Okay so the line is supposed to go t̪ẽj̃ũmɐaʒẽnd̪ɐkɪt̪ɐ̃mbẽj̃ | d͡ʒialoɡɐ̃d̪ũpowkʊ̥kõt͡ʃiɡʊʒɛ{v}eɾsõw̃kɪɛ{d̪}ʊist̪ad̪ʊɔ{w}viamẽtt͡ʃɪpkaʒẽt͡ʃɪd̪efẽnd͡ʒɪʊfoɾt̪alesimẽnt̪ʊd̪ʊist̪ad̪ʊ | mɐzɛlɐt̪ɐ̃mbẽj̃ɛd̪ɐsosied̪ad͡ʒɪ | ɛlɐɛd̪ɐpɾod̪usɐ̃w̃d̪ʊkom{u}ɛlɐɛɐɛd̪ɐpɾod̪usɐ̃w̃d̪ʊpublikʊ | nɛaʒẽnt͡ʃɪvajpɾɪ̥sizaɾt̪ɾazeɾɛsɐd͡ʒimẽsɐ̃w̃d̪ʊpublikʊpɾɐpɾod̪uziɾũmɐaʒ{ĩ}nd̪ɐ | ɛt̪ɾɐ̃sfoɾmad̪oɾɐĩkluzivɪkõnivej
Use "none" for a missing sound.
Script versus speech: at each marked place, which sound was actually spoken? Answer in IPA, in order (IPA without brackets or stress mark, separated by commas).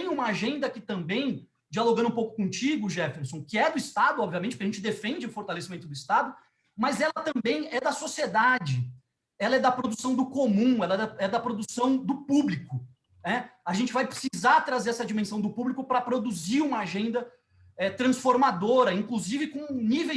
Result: f, d̪, b, ũ, ẽ